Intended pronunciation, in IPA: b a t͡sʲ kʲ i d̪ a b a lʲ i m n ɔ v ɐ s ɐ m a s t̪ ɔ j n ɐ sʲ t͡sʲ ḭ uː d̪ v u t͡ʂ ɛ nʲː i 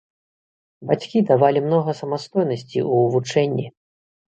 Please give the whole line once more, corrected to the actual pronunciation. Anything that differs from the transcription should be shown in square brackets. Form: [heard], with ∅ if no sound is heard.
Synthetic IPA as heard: b a t͡sʲ kʲ i d̪ a [v] a lʲ i m n ɔ [ɣ] ɐ s ɐ m a s t̪ ɔ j n ɐ sʲ t͡sʲ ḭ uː [∅] v u t͡ʂ ɛ nʲː i